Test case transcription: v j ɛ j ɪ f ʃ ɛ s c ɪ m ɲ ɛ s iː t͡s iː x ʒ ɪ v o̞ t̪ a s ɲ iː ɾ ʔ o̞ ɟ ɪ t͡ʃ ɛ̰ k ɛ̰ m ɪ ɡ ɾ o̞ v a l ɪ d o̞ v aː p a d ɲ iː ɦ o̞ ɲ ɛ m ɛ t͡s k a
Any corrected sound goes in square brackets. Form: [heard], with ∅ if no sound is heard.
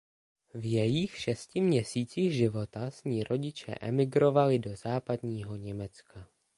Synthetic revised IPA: v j ɛ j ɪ [x] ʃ ɛ s c ɪ m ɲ ɛ s iː t͡s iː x ʒ ɪ v o̞ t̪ a s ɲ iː ɾ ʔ o̞ ɟ ɪ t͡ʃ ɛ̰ [ʔ] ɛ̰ m ɪ ɡ ɾ o̞ v a l ɪ d o̞ [z] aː p a d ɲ iː ɦ o̞ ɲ ɛ m ɛ t͡s k a